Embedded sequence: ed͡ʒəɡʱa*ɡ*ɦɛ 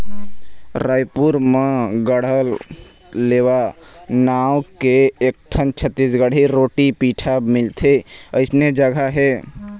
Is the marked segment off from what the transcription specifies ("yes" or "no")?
yes